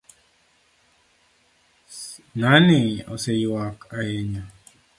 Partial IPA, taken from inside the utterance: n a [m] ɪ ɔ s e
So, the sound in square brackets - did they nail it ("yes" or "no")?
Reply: no